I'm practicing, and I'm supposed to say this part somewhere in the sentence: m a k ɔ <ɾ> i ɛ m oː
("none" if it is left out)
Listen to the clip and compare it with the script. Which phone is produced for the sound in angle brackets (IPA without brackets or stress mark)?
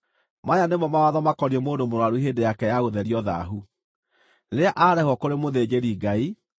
ɾ